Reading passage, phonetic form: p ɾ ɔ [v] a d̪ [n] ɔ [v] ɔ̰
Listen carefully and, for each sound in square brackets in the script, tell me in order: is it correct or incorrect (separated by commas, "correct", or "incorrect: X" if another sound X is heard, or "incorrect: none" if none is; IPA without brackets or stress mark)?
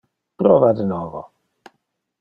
correct, correct, correct